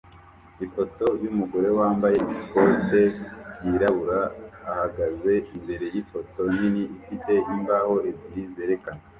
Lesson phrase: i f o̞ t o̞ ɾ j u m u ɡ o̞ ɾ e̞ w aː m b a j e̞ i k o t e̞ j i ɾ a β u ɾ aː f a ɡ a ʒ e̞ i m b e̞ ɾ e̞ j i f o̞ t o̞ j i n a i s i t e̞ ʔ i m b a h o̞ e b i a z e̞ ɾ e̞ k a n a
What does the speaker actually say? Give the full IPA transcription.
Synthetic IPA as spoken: i f o̞ t o̞ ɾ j u m u ɡ o̞ ɾ e̞ w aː m b a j e̞ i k o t e̞ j i ɾ a β u ɾ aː h a ɡ a z e̞ i m b e̞ ɾ e̞ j i f o̞ t o̞ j i n i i f i t e̞ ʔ i m b a h o̞ e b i i z e̞ ɾ e̞ k a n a